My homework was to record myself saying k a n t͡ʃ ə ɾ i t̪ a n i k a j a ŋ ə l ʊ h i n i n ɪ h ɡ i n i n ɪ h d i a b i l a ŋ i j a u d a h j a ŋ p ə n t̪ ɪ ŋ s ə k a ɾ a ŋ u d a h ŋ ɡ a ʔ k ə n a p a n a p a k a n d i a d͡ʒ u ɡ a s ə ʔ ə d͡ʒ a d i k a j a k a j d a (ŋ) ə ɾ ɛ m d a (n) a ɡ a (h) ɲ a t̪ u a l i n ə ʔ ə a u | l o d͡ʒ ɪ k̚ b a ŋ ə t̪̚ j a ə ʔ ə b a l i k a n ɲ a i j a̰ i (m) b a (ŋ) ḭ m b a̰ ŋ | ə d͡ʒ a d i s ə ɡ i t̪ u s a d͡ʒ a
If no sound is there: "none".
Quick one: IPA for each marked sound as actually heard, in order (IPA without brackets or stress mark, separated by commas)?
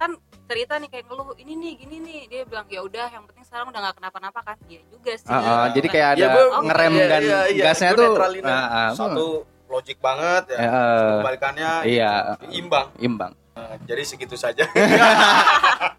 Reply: ŋ, n, s, m, ŋ